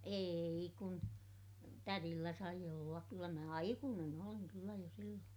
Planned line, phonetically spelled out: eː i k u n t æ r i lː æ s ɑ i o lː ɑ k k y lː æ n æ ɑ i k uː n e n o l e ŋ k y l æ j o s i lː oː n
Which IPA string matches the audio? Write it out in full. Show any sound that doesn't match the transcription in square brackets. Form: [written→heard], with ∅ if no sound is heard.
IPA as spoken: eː i k u n t æ r i lː æ s ɑ i o lː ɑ k k y lː æ [n→m] æ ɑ i k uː n e n o l [e→i] ŋ k y [l→lː] æ j o s i lː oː n